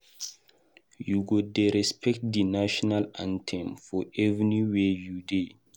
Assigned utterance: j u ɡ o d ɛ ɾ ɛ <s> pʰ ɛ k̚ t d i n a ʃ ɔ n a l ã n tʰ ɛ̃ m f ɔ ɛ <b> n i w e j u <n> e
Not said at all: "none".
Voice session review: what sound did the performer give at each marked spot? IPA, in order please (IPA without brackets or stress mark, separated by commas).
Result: s, v, d